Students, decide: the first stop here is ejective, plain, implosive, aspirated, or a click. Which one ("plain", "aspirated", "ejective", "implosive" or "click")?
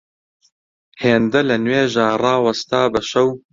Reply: plain